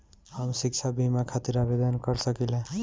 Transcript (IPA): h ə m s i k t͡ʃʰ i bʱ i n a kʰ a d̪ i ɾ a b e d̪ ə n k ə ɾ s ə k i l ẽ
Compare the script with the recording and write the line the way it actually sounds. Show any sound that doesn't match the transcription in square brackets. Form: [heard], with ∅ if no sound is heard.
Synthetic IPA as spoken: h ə m s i k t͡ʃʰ [a] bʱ i [m] a kʰ a [t̪] i ɾ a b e d̪ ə n k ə ɾ s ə k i l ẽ